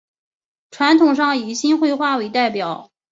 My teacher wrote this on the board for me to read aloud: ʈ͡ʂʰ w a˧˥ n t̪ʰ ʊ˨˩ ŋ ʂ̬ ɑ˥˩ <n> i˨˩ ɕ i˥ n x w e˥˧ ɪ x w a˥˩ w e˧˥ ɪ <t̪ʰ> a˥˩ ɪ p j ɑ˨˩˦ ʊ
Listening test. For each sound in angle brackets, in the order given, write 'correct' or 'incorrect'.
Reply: incorrect: ŋ, incorrect: t̪

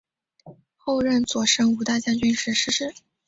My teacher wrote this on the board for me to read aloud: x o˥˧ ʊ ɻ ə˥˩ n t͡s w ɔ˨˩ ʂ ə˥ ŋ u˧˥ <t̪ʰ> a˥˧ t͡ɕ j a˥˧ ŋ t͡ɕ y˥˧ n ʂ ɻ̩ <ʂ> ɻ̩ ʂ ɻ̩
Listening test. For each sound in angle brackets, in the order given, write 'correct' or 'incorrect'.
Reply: incorrect: t̪, correct

